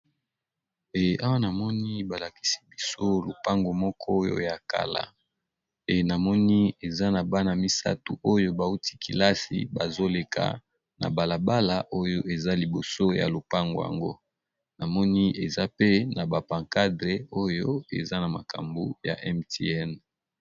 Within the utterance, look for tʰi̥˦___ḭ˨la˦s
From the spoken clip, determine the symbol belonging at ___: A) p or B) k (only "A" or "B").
B